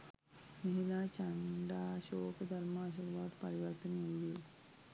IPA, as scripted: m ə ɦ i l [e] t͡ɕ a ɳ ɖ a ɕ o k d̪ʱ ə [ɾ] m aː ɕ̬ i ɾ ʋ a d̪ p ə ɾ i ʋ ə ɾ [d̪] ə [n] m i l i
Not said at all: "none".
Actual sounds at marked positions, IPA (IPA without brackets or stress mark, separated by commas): a, ɾ, t̪, n